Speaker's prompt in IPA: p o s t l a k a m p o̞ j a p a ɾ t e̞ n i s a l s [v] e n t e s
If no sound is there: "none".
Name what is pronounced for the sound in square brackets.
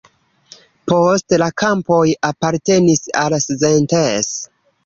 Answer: z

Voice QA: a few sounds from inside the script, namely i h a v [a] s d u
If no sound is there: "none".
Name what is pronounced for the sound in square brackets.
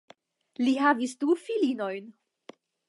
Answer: i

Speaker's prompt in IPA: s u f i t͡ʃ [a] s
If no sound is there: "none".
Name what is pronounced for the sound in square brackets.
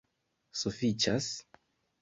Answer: a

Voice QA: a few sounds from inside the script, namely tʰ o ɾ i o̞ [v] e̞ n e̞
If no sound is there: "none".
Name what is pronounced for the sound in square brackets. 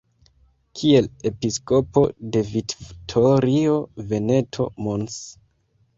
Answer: v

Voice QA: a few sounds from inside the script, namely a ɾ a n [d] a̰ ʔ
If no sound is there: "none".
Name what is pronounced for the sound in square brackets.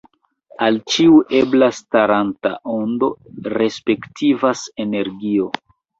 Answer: t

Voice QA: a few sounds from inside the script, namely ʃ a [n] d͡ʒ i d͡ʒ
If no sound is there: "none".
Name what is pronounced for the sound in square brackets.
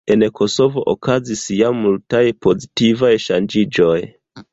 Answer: n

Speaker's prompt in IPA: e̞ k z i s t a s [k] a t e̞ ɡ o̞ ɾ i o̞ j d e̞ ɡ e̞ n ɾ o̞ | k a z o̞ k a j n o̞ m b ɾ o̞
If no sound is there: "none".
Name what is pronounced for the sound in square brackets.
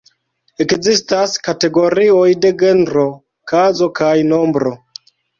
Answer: k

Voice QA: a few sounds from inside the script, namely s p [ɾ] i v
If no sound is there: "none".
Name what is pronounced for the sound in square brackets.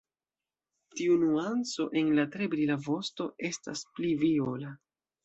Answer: l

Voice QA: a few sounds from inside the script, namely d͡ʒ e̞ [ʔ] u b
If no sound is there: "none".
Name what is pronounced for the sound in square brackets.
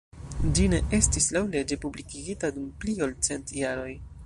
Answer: p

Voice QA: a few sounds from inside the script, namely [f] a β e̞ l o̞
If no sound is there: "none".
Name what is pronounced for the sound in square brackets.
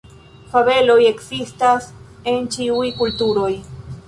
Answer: f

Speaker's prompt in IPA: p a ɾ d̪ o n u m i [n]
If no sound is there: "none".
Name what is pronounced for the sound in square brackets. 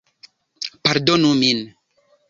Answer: n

